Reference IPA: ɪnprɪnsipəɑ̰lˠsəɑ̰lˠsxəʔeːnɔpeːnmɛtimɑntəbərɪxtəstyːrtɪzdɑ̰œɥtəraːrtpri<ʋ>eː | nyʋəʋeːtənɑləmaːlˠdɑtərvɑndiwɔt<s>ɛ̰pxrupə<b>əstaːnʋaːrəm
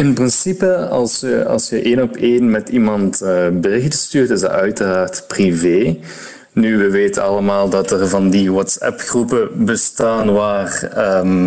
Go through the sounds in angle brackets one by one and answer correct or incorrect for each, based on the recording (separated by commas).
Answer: incorrect, correct, correct